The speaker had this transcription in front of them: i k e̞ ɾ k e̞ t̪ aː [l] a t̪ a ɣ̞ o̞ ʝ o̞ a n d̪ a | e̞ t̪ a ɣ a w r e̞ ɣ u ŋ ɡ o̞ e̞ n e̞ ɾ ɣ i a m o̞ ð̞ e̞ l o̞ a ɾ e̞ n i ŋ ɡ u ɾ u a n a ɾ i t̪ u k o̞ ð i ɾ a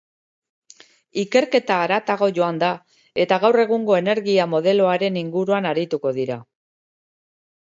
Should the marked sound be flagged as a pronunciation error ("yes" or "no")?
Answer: yes